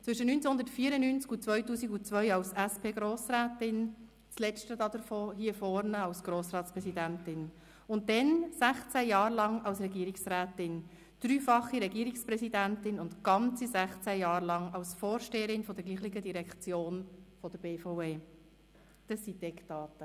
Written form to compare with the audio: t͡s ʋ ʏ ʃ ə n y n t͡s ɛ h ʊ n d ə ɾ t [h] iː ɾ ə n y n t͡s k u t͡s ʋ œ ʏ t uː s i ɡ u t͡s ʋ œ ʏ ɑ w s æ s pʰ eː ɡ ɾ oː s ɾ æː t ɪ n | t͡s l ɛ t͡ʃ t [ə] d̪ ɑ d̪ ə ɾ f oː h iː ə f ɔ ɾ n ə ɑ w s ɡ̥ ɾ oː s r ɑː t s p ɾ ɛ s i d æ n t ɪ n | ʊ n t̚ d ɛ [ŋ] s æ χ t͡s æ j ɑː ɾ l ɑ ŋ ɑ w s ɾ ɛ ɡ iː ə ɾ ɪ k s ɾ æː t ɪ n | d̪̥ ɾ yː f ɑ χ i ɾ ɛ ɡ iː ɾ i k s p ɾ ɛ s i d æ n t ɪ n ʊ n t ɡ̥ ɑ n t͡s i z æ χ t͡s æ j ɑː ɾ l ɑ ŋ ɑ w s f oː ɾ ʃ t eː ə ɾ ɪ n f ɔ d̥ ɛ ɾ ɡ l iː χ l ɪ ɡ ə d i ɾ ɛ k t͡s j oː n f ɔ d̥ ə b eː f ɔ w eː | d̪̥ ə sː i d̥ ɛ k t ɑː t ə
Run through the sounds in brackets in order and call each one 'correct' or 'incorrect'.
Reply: incorrect: f, correct, incorrect: n

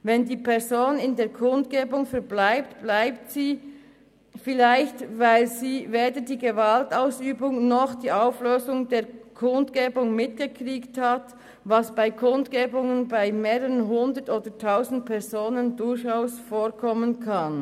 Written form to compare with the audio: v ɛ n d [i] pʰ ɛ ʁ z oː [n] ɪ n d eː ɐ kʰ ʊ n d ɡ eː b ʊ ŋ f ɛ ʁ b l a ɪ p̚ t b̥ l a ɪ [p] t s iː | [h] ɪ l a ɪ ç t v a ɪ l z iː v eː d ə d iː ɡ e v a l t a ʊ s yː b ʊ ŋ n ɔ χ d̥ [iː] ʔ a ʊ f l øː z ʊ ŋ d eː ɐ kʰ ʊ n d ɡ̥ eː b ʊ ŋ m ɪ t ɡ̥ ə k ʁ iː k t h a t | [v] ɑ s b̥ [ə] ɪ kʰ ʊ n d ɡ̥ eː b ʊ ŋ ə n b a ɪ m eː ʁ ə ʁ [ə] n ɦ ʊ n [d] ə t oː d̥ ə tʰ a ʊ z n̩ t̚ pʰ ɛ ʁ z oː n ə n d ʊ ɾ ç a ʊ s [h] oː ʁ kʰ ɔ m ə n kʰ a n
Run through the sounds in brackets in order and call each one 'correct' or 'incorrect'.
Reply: incorrect: iː, correct, correct, incorrect: f, correct, correct, incorrect: a, correct, correct, incorrect: f

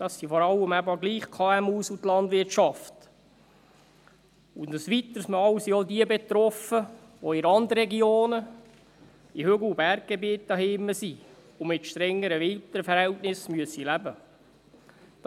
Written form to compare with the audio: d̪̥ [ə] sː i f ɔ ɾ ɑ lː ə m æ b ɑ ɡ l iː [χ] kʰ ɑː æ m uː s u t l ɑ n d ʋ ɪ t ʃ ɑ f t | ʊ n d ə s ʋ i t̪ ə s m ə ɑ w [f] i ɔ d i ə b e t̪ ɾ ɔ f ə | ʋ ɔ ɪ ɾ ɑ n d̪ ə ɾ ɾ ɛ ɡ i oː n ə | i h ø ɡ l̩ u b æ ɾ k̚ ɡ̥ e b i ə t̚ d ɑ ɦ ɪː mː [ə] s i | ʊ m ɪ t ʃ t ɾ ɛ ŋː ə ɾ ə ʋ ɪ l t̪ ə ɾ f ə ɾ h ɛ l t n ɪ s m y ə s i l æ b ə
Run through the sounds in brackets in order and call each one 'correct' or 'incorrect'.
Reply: incorrect: ɑ, correct, incorrect: s, correct

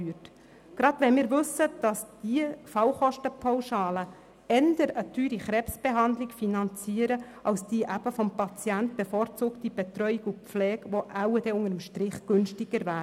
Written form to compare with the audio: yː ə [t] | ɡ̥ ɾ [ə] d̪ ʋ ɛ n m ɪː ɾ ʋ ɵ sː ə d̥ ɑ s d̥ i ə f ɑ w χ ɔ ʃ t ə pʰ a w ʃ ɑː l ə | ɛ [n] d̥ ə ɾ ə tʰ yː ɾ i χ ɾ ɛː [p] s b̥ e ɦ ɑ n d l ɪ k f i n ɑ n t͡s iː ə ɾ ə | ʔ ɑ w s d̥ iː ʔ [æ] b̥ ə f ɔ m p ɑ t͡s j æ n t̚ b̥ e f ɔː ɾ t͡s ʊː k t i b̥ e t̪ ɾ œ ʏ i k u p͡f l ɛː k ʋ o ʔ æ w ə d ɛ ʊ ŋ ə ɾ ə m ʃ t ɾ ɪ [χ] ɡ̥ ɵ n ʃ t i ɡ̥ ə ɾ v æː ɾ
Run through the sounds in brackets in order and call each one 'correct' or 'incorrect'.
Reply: correct, incorrect: ɑ, correct, correct, correct, correct

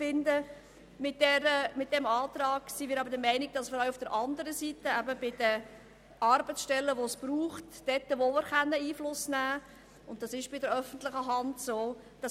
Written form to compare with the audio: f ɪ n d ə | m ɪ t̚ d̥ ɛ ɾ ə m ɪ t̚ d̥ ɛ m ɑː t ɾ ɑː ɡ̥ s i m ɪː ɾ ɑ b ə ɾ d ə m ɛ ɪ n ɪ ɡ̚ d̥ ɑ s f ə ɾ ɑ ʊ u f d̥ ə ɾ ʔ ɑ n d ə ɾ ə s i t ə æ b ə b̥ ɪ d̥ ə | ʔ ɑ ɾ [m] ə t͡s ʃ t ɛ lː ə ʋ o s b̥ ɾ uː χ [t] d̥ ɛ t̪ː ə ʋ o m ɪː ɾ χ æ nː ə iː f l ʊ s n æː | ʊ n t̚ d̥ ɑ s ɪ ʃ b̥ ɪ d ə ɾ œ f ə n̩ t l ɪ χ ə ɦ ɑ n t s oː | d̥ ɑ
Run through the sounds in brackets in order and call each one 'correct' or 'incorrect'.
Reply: incorrect: b, correct

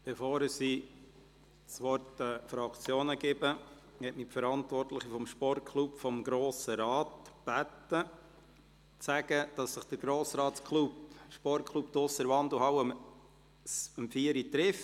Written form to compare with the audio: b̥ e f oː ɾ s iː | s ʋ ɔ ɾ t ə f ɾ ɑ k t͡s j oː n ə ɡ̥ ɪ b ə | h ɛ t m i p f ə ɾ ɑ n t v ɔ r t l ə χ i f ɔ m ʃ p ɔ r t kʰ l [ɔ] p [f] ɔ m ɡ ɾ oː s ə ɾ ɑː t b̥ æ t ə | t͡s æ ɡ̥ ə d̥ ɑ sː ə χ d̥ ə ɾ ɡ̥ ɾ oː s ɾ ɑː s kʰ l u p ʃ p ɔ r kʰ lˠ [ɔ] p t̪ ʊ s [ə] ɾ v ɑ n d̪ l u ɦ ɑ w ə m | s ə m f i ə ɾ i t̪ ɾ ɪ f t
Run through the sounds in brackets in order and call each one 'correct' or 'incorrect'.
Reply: incorrect: u, correct, incorrect: u, correct

